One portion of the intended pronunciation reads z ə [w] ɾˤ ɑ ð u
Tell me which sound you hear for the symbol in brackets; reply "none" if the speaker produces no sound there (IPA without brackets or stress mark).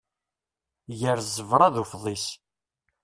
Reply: v